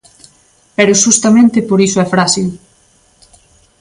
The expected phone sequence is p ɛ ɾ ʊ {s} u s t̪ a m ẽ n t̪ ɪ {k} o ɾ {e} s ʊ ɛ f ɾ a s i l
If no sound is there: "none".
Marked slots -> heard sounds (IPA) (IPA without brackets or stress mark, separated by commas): ʃ, p, i